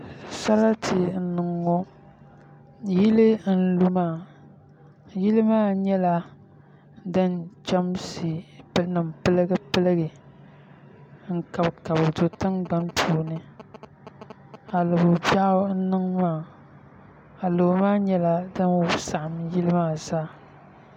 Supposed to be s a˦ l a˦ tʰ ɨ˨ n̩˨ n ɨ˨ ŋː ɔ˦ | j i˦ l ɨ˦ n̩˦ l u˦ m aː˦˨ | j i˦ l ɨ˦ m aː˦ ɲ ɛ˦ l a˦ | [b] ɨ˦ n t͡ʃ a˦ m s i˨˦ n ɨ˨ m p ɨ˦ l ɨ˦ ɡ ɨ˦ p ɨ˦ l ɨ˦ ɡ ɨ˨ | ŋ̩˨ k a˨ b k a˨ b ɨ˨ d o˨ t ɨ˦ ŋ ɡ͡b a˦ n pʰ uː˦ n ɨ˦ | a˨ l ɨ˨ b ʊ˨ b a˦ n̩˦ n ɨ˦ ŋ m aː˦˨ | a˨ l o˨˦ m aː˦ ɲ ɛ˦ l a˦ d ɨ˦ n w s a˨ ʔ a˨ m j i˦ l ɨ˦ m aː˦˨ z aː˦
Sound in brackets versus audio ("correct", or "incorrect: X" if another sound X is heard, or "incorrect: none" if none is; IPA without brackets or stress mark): incorrect: d